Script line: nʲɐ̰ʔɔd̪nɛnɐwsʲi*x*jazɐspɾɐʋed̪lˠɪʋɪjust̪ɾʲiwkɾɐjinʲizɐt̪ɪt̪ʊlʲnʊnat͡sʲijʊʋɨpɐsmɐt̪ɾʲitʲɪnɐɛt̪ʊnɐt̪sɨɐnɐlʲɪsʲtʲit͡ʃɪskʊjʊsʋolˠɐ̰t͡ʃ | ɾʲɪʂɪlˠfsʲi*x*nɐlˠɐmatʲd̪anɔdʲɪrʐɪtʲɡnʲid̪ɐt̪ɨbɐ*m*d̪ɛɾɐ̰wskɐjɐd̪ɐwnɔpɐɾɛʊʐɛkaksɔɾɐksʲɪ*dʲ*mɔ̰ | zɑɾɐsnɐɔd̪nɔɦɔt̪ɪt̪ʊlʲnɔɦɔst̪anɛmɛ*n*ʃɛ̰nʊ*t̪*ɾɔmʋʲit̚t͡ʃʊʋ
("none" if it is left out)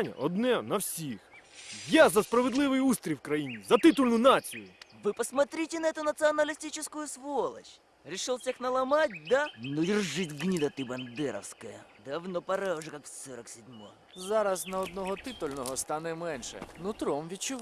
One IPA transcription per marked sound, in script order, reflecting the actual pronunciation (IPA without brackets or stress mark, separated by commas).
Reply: x, x, n, dʲ, n, t̪